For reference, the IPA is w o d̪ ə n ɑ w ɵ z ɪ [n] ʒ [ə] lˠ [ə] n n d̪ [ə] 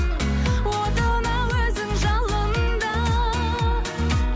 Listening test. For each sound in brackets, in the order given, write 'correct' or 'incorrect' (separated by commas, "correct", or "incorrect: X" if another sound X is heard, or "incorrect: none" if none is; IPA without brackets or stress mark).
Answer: incorrect: ŋ, incorrect: ɑ, correct, incorrect: ɑ